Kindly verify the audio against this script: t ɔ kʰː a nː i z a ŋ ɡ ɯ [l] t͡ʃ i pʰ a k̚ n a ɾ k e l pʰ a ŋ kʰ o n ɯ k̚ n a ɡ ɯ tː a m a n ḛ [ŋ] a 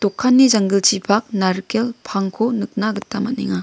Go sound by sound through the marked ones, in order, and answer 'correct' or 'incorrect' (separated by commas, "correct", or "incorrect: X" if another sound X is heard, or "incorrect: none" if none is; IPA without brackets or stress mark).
correct, correct